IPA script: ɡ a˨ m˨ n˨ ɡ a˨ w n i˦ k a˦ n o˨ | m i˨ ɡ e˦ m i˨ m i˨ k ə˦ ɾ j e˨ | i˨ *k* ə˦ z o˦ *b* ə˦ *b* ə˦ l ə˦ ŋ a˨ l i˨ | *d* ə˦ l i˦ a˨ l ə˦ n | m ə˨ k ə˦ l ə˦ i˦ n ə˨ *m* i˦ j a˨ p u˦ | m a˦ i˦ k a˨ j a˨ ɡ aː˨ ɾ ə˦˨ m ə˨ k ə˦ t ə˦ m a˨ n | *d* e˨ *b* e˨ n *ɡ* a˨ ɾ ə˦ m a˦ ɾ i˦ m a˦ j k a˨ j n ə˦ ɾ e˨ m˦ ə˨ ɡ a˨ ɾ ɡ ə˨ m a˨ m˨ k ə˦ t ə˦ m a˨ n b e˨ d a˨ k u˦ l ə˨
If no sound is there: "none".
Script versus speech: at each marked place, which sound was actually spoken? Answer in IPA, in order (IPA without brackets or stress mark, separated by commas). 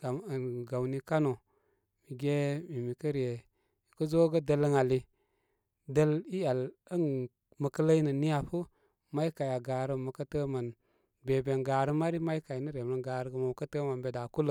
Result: k, ɡ, d, d, n, b, b, ɡ